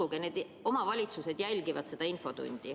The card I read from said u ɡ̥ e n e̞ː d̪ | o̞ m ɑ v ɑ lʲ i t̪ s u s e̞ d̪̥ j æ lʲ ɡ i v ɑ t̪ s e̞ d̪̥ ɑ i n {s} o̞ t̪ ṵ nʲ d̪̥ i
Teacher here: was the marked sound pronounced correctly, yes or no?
no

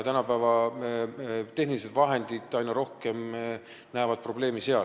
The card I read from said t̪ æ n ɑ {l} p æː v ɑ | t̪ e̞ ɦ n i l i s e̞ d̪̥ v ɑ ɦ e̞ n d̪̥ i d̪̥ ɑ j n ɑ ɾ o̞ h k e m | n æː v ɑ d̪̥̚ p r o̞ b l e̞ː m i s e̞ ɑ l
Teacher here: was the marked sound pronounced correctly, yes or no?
no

